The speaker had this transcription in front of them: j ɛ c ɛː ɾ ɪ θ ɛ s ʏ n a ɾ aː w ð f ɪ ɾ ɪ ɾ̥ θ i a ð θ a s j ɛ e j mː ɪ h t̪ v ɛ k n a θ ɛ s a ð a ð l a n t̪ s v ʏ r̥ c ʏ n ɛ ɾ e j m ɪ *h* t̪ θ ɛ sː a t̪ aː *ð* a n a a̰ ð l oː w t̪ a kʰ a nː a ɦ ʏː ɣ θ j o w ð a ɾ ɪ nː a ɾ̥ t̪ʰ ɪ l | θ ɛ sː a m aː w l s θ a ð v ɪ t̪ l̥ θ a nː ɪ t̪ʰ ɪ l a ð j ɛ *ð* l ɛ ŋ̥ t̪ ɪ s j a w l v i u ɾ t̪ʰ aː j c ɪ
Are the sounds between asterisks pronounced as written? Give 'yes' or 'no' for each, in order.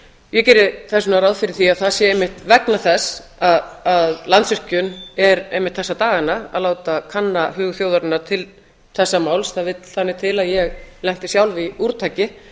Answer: yes, no, no

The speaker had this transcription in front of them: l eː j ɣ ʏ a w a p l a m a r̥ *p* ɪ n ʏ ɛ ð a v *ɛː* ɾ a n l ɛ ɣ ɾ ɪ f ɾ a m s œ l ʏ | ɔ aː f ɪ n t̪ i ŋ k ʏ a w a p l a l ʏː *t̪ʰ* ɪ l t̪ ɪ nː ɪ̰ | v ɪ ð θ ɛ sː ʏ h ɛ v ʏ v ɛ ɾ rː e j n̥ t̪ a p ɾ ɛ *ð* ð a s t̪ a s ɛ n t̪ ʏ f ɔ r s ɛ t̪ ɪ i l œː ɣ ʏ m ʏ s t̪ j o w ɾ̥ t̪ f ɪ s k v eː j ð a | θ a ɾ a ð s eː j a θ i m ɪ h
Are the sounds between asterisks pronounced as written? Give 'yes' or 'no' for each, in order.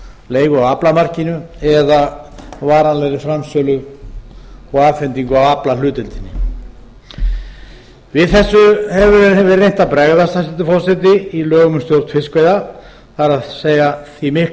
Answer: no, no, no, no

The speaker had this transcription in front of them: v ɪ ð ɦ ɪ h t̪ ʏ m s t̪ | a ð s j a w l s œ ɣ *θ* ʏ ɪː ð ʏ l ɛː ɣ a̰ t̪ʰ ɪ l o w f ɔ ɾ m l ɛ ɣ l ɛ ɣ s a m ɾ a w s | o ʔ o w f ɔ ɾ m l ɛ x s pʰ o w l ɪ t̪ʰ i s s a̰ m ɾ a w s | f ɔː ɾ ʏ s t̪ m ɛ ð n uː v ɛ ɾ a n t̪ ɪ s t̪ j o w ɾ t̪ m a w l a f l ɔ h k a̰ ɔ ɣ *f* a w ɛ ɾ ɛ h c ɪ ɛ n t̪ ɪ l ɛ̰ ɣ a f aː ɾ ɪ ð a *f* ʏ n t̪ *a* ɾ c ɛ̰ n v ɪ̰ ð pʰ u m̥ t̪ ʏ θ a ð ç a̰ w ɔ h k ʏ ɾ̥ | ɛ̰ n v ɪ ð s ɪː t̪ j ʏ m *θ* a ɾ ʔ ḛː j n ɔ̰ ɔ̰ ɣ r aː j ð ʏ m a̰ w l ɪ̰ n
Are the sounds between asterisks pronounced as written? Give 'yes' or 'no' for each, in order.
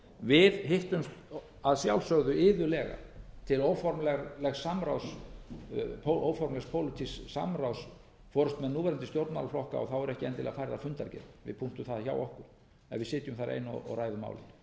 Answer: no, no, yes, yes, yes

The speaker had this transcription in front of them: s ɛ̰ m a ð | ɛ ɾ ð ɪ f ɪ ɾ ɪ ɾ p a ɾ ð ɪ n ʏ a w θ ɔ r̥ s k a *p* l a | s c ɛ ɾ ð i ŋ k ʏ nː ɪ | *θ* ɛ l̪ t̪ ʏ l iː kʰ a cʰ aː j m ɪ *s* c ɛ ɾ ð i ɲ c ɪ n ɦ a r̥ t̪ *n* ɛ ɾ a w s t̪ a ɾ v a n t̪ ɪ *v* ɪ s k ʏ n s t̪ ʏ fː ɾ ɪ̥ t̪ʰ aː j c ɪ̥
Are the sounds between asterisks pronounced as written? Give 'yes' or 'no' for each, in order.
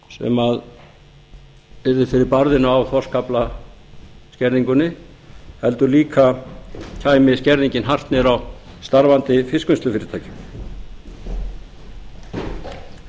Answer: yes, no, yes, yes, no

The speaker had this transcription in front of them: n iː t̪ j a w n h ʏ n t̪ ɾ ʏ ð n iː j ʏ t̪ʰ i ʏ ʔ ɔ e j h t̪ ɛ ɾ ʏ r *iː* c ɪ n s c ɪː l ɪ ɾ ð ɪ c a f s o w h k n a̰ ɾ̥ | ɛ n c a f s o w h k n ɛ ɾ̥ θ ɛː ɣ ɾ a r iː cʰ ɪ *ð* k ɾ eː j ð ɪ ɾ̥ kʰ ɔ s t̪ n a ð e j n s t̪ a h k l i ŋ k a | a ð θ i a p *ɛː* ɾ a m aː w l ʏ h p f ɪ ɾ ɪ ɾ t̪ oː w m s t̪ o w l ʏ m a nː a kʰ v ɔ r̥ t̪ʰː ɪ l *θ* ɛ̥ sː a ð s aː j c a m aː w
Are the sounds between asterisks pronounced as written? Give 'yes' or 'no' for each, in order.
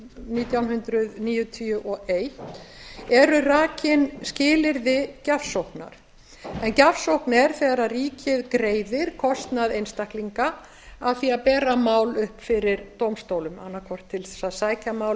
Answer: no, yes, yes, yes

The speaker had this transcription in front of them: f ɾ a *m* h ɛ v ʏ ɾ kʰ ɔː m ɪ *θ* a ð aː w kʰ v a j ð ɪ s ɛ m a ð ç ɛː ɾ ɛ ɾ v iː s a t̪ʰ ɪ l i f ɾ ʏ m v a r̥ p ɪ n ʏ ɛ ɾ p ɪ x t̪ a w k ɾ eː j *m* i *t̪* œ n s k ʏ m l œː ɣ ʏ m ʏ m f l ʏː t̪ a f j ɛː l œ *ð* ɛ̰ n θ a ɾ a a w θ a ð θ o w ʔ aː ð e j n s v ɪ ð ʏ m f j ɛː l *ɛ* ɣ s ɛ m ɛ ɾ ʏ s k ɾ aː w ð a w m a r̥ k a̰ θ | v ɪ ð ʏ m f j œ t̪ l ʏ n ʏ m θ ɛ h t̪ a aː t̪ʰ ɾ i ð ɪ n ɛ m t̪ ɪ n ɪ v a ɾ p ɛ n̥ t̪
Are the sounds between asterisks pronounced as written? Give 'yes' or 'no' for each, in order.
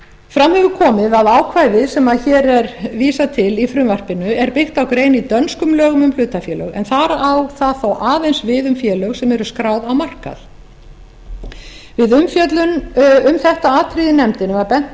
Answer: yes, no, no, yes, no, no

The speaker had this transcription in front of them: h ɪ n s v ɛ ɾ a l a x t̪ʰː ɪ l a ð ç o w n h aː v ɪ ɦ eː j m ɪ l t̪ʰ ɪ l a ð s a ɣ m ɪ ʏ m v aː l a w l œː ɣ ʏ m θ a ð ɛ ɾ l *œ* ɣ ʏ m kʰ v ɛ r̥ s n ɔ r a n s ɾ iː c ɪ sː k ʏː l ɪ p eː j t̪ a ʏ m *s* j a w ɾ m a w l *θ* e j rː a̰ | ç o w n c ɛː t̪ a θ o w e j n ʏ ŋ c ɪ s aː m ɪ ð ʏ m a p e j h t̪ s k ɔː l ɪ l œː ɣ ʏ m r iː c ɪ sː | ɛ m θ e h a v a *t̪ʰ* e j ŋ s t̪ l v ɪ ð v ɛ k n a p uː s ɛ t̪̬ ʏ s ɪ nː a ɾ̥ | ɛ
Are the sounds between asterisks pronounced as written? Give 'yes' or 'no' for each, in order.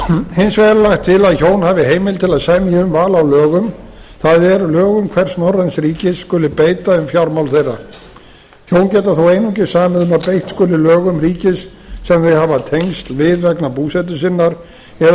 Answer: no, no, yes, yes

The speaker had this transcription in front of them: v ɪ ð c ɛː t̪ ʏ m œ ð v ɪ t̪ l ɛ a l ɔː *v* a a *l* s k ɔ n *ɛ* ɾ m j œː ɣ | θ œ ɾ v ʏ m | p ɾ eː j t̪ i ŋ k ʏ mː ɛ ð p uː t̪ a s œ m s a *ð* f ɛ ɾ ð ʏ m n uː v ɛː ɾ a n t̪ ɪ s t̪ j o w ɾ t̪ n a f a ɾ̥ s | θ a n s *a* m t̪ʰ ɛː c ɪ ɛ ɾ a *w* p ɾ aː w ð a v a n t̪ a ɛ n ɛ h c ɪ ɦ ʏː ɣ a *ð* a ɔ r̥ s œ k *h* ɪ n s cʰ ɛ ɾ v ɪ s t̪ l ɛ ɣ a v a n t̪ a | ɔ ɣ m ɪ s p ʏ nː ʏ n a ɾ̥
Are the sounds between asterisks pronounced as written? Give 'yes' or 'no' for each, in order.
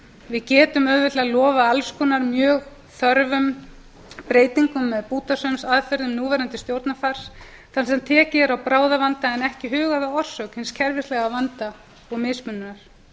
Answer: yes, yes, no, yes, no, yes, yes, yes

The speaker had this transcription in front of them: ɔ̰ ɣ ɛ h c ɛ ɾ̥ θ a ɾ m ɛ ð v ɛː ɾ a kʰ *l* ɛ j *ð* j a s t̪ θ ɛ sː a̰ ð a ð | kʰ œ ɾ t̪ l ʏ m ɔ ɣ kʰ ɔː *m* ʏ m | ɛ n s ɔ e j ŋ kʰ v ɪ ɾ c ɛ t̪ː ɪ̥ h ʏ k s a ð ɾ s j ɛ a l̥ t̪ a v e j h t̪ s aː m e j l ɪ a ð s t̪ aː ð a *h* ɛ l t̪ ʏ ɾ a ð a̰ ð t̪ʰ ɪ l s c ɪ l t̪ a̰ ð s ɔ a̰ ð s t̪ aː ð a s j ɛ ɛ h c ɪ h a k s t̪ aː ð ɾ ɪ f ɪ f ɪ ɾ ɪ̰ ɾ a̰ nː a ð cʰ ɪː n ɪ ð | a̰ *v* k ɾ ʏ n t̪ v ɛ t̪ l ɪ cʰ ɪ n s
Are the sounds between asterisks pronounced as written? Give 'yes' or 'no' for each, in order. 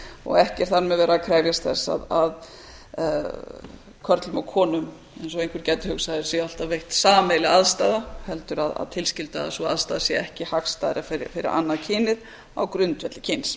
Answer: no, no, no, yes, no

